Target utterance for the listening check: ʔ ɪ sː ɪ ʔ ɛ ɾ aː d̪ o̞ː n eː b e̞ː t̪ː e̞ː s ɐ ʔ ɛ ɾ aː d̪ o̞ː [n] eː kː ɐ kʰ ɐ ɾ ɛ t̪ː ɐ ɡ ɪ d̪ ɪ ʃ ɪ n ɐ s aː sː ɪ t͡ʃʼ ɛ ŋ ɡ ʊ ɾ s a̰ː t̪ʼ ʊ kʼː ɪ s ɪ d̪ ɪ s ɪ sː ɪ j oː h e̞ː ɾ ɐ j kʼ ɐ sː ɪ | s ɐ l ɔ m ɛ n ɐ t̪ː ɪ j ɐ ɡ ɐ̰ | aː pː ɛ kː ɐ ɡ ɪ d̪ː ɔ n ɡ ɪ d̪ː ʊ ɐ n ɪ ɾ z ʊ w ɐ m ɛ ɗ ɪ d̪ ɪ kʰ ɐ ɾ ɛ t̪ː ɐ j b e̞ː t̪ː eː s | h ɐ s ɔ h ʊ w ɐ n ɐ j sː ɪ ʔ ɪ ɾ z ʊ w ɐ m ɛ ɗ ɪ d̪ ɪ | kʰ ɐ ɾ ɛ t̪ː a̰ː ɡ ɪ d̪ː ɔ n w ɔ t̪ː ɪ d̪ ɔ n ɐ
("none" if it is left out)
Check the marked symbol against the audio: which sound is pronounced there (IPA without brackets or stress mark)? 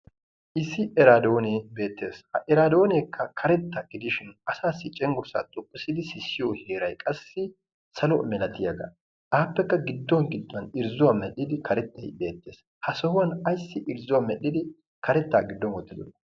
n